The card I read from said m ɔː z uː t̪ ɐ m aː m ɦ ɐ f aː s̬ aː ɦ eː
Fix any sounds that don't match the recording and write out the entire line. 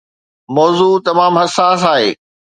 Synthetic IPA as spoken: m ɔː z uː t̪ ɐ m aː m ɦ ɐ s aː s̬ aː ɦ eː